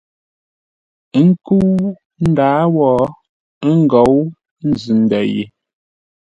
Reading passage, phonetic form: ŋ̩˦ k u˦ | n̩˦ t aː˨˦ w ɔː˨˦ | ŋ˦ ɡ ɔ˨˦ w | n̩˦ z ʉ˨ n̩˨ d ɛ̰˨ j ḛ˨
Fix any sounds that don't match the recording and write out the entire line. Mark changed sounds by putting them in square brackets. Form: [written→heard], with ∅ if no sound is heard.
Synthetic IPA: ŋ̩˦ k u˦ | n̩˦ [t→d] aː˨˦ w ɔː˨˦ | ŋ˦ ɡ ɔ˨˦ w | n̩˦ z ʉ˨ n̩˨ d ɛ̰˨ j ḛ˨